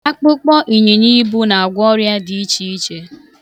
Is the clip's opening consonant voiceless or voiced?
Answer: voiceless